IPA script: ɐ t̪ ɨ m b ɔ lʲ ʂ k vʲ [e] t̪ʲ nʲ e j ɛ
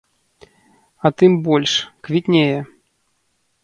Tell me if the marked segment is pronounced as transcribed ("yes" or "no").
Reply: no